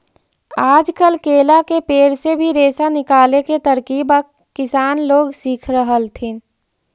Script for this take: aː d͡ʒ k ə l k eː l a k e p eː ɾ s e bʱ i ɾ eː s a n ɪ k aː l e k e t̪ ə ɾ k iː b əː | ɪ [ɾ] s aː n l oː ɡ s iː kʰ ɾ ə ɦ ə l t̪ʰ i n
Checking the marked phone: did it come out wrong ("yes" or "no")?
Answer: yes